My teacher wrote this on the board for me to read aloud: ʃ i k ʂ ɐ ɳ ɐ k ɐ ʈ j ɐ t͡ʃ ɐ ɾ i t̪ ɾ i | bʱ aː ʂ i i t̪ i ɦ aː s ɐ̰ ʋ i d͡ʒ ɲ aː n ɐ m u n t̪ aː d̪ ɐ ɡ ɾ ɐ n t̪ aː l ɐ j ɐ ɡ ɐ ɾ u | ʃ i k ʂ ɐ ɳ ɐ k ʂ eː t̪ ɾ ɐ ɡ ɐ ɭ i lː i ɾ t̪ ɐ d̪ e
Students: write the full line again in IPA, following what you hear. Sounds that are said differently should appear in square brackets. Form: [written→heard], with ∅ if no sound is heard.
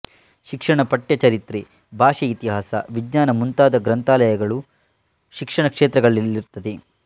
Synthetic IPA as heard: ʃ i k ʂ ɐ ɳ ɐ [k→p] ɐ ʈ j ɐ t͡ʃ ɐ ɾ i t̪ ɾ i | bʱ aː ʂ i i t̪ i ɦ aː s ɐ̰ ʋ i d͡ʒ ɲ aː n ɐ m u n t̪ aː d̪ ɐ ɡ ɾ ɐ n t̪ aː l ɐ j ɐ ɡ ɐ [ɾ→ɭ] u | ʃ i k ʂ ɐ ɳ ɐ k ʂ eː t̪ ɾ ɐ ɡ ɐ ɭ i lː i ɾ t̪ ɐ d̪ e

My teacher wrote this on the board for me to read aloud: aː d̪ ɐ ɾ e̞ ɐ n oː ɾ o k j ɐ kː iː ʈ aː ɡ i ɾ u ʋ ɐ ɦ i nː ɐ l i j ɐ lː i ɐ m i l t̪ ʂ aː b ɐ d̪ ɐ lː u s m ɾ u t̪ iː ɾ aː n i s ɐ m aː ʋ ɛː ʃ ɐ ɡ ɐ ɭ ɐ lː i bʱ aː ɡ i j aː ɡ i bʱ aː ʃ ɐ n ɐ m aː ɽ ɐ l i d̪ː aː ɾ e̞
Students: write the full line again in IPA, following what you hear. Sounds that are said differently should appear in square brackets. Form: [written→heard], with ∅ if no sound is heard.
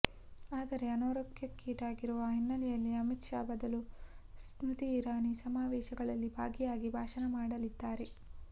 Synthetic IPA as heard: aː d̪ ɐ ɾ e̞ ɐ n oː ɾ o k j ɐ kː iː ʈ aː ɡ i ɾ u ʋ ɐ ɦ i nː ɐ l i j ɐ lː i ɐ m i [l→∅] t̪ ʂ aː b ɐ d̪ ɐ [lː→l] u s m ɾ u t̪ iː ɾ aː n i s ɐ m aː ʋ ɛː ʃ ɐ ɡ ɐ ɭ ɐ lː i bʱ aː ɡ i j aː ɡ i bʱ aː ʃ ɐ n ɐ m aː ɽ ɐ l i d̪ː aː ɾ e̞

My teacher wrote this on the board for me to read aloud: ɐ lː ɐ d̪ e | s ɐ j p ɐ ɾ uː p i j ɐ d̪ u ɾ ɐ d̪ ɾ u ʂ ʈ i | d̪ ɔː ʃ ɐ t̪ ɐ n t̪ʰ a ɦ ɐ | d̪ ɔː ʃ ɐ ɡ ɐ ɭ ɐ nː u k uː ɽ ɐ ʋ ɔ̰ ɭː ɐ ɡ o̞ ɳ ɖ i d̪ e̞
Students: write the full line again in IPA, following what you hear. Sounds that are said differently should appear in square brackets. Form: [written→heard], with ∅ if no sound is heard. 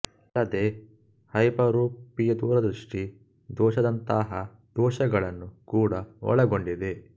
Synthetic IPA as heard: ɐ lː ɐ d̪ e | [s→h] ɐ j p ɐ ɾ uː p i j ɐ d̪ [u→uː] ɾ ɐ d̪ ɾ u ʂ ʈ i | d̪ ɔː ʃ ɐ [t̪→d̪] ɐ n [t̪ʰ→t̪] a ɦ ɐ | d̪ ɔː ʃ ɐ ɡ ɐ ɭ ɐ nː u k uː ɽ ɐ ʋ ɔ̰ [ɭː→ɭ] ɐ ɡ o̞ ɳ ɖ i d̪ e̞

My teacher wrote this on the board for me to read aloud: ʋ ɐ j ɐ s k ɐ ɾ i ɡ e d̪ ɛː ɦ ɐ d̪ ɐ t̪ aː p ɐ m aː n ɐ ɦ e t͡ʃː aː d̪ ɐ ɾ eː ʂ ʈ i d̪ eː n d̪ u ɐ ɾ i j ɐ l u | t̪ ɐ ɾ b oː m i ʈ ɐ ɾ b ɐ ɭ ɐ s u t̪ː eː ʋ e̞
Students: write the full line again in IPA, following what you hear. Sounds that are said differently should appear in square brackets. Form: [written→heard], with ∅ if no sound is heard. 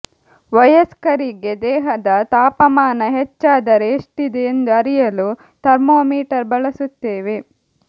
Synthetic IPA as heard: ʋ ɐ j ɐ s k ɐ ɾ i ɡ e d̪ ɛː ɦ ɐ d̪ ɐ t̪ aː p ɐ m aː n ɐ ɦ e t͡ʃː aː d̪ ɐ ɾ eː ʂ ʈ i d̪ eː n d̪ u ɐ ɾ i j ɐ l u | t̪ ɐ ɾ [b→m] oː m [i→iː] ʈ ɐ ɾ b ɐ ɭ ɐ s u t̪ː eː ʋ e̞

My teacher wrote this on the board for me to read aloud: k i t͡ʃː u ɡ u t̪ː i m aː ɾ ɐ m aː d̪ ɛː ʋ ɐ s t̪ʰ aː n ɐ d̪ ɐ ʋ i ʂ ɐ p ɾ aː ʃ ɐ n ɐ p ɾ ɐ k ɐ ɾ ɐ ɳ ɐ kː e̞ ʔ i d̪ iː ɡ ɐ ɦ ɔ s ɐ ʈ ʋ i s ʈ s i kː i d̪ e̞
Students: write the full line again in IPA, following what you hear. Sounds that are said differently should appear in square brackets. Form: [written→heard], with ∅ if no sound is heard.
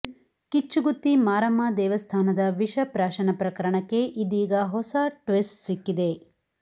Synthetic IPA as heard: k i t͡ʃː u ɡ u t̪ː i m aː ɾ ɐ m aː d̪ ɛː ʋ ɐ s t̪ʰ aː n ɐ d̪ ɐ ʋ i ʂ ɐ p ɾ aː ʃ ɐ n ɐ p ɾ ɐ k ɐ ɾ ɐ ɳ ɐ kː e̞ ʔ i d̪ iː ɡ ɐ ɦ ɔ s ɐ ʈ ʋ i s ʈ s i kː i d̪ e̞

